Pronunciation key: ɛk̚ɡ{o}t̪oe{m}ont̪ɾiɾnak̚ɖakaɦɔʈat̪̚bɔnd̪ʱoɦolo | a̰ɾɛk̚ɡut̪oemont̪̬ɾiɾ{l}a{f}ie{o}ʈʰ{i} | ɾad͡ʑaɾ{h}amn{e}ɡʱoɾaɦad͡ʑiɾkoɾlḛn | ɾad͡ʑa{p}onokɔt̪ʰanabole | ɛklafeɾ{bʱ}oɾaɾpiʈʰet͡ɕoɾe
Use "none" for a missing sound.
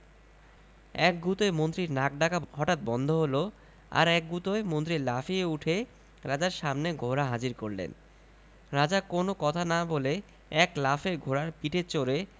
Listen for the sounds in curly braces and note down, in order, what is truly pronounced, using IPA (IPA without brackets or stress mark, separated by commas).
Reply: u, m, l, f, u, e, ʃ, e, k, ɡʱ